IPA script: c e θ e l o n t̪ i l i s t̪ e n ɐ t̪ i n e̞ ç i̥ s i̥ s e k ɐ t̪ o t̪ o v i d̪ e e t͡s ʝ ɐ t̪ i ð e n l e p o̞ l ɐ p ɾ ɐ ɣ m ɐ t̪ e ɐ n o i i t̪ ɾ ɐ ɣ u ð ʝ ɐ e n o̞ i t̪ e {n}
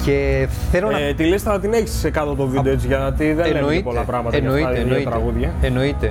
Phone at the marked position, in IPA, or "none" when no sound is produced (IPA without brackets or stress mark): none